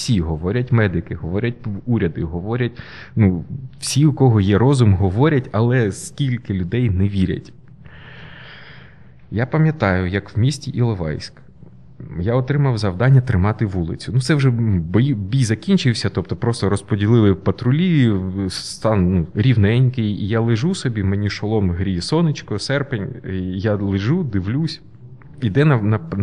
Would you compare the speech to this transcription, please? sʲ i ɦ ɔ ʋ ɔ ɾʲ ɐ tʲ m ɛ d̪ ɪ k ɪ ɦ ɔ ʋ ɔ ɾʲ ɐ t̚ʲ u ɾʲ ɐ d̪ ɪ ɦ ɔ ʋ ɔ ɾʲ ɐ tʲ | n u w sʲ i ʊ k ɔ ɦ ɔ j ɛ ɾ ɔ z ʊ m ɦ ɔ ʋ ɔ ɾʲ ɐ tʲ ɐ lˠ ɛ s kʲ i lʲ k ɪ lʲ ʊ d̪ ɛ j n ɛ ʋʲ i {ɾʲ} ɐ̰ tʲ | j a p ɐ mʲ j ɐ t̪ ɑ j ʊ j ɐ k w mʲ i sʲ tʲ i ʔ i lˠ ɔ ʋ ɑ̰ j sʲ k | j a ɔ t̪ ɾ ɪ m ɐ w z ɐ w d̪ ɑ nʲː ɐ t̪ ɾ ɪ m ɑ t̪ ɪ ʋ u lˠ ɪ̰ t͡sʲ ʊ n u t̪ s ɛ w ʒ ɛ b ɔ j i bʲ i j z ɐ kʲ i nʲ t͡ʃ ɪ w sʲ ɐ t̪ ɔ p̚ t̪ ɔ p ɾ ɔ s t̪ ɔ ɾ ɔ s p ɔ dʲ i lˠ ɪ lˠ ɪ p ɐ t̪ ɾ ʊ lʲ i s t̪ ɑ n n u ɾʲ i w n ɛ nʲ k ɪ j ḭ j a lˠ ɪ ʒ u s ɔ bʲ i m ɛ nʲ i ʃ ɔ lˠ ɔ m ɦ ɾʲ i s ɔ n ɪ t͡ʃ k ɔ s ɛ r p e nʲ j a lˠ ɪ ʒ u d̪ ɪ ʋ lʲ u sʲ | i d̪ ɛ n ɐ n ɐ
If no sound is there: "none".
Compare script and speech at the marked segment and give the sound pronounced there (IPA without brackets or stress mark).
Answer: ɾʲ